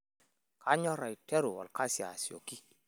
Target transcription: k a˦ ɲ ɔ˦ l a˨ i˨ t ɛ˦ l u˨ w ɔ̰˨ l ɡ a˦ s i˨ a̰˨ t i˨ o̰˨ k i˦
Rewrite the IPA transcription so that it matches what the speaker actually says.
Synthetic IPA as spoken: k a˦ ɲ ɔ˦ ɾ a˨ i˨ t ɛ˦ ɾ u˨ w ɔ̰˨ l k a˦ s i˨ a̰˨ s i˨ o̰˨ k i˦